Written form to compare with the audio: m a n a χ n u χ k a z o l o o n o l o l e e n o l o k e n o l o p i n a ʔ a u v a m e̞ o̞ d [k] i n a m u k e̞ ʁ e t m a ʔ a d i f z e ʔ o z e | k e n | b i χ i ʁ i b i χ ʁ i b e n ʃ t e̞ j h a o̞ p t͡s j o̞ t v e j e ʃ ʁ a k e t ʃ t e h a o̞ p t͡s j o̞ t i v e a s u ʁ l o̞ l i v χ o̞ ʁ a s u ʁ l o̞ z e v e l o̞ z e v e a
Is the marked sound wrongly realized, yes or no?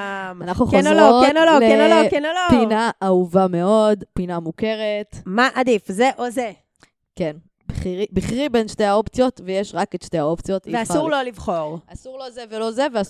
yes